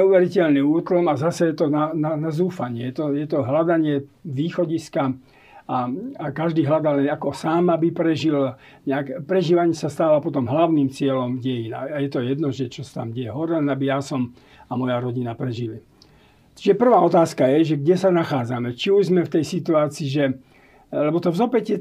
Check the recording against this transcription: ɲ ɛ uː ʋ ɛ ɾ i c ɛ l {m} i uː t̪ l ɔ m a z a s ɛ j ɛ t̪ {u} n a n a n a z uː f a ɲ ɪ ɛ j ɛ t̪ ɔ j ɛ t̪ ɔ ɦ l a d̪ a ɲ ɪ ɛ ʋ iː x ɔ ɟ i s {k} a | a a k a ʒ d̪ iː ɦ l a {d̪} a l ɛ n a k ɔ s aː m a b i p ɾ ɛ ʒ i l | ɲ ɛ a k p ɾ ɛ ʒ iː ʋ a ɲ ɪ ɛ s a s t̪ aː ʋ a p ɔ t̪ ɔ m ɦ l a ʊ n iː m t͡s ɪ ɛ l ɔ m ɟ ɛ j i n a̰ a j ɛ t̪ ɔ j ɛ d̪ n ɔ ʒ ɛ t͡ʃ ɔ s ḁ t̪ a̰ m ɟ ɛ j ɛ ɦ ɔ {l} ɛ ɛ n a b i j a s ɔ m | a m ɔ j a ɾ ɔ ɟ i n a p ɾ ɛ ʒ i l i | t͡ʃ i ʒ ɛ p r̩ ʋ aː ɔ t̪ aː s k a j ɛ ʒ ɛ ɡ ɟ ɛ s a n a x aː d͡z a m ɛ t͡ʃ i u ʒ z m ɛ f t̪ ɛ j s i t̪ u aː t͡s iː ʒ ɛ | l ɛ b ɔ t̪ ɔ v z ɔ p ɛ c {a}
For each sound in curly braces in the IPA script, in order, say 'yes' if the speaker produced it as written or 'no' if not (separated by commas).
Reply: no, no, yes, yes, no, no